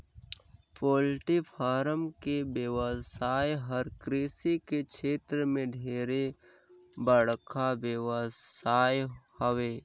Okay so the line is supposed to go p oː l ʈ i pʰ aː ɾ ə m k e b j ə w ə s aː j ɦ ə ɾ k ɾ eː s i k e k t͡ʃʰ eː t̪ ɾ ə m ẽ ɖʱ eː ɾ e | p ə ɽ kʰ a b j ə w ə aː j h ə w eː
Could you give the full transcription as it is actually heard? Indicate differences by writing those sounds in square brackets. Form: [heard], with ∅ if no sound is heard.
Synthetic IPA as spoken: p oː l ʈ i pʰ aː ɾ ə m k e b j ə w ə s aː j ɦ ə ɾ k ɾ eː s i k e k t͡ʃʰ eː t̪ ɾ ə m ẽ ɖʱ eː ɾ e | [b] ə ɽ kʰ a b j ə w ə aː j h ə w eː